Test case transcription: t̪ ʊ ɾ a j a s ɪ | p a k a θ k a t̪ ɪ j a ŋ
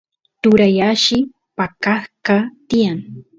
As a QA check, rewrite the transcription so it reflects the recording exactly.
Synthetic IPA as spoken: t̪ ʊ ɾ a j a ʃ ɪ | p a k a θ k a t̪ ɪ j a ŋ